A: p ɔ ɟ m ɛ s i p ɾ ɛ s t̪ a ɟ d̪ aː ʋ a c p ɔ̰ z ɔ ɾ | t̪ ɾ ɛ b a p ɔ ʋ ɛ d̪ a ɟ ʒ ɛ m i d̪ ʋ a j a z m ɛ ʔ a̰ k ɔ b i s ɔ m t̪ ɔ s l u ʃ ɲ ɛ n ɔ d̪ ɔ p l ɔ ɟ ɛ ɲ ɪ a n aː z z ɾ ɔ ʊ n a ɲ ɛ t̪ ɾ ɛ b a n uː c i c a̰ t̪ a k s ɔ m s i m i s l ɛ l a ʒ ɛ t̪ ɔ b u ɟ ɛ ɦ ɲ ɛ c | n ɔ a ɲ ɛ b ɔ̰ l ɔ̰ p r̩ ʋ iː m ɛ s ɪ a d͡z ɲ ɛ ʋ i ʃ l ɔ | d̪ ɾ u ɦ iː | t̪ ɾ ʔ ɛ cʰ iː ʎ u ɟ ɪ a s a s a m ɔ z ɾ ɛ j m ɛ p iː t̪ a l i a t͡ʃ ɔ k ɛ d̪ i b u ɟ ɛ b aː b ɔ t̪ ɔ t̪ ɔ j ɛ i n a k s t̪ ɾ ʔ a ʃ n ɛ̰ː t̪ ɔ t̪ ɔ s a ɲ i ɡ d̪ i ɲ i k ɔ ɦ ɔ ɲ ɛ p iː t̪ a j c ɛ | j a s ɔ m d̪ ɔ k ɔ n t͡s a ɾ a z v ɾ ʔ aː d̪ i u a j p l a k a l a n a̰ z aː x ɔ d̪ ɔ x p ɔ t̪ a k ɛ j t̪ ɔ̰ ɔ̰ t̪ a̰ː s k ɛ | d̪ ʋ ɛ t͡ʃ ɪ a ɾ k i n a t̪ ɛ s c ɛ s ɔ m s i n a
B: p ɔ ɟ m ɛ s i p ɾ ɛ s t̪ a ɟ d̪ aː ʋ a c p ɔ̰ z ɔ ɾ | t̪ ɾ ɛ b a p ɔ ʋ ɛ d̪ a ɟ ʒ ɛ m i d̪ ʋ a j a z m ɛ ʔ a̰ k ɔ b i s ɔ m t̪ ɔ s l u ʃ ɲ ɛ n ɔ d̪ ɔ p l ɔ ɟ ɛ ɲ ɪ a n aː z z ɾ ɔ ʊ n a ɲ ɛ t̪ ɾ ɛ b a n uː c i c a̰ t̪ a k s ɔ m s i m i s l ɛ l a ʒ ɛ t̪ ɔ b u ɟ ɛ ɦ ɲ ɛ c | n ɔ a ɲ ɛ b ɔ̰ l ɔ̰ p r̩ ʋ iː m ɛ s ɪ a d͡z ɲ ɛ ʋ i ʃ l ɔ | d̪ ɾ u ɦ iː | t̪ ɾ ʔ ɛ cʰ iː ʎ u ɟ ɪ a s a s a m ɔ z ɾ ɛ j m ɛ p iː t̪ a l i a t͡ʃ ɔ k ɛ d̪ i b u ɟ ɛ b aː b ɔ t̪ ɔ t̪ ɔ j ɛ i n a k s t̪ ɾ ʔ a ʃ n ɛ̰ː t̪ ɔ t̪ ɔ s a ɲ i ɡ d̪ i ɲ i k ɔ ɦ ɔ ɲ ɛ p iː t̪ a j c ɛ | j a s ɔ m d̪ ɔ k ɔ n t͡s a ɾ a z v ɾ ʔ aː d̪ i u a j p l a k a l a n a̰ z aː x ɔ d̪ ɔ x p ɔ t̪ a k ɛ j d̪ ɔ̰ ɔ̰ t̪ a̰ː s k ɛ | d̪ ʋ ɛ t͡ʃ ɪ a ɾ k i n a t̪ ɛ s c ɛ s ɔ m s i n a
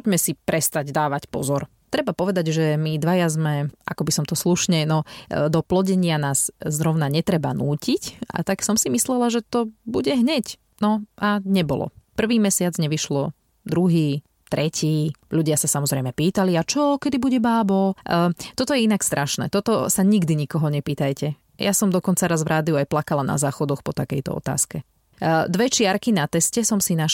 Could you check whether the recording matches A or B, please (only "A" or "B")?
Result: A